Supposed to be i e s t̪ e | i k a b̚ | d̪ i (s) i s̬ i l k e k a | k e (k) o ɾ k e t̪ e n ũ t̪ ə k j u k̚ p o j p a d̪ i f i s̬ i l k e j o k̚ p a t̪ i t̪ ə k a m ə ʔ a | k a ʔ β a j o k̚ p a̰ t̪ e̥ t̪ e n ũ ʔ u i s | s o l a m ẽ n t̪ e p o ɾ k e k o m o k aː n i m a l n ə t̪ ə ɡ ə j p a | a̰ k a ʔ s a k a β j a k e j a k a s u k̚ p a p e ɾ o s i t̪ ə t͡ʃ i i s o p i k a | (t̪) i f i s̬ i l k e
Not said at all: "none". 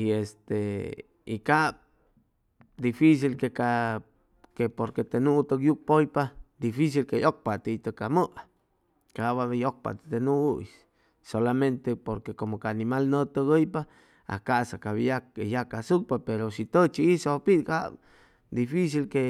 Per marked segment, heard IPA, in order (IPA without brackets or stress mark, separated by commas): f, p, d̪